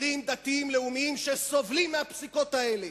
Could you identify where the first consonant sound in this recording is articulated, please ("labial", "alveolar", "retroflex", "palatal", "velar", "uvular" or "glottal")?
labial